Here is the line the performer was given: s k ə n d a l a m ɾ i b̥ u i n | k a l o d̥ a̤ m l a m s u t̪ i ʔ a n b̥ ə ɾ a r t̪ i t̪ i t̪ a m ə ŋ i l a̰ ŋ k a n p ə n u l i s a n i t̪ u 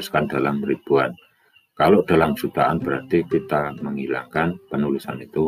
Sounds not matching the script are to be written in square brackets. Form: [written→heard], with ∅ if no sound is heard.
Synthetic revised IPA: s k [ə→a] n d a l a m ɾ i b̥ u [i→a] n | k a l o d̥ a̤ [m→∅] l a m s u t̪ [i→a] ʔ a n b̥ ə ɾ a r t̪ i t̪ i t̪ a m ə ŋ i l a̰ ŋ k a n p ə n u l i s a n i t̪ u